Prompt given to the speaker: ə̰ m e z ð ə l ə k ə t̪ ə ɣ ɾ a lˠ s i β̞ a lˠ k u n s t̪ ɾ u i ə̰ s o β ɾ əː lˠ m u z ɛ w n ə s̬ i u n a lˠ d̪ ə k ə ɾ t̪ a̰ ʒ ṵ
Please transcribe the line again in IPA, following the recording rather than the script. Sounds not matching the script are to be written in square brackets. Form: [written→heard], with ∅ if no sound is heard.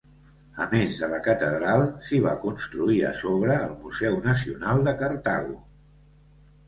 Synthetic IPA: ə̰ m e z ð ə l ə k ə t̪ ə [ɣ→ð] ɾ a lˠ s i β̞ a [lˠ→∅] k u n s t̪ ɾ u i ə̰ s o β ɾ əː lˠ m u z ɛ w n ə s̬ i u n a lˠ d̪ ə k ə ɾ t̪ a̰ [ʒ→ɣ] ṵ